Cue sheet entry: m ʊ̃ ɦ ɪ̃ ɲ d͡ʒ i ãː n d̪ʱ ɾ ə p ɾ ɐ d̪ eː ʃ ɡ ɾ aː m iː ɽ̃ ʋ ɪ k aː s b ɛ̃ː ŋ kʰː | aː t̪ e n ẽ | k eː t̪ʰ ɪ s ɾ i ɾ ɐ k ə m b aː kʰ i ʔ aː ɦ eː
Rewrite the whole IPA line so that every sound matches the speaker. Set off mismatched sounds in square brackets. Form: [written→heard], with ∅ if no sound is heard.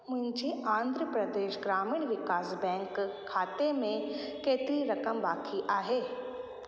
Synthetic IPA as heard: m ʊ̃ ɦ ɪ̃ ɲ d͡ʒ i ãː n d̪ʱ ɾ ə p ɾ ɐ d̪ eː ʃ ɡ ɾ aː m iː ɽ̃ ʋ ɪ k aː s b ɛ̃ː ŋ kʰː | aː t̪ e [n→m] ẽ | k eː [t̪ʰ→t̪] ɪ [s→∅] ɾ i ɾ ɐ k ə m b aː kʰ i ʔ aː ɦ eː